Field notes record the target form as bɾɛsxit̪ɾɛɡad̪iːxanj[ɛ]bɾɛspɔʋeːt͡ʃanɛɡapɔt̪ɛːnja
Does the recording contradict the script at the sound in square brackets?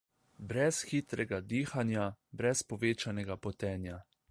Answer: yes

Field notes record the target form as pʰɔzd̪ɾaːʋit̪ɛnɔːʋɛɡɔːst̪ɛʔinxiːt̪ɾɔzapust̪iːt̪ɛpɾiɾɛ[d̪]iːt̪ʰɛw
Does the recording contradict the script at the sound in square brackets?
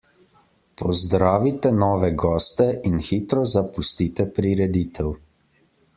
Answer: no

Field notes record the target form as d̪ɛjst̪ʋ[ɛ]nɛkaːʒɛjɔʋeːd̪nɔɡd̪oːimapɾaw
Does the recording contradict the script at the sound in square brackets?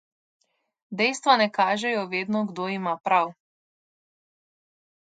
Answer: yes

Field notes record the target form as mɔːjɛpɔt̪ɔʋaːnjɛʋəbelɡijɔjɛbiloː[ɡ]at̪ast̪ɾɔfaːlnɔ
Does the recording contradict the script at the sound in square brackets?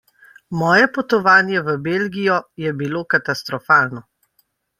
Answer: yes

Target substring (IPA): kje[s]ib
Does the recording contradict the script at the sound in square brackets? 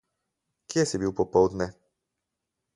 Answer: no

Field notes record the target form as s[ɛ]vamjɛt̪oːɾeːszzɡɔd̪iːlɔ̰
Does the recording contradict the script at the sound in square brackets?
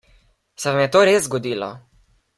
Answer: no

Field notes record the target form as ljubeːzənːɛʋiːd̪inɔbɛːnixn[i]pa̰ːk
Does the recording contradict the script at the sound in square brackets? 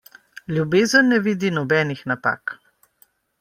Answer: yes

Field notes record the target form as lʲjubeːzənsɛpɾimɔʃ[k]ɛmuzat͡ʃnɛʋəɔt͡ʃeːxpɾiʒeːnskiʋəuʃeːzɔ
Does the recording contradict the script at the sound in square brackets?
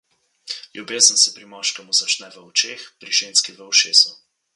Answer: no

